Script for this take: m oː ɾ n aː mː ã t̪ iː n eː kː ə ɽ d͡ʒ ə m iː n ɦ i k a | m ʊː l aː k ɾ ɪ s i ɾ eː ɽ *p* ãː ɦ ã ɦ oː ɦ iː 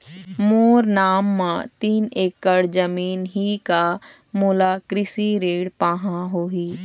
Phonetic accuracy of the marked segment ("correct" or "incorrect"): correct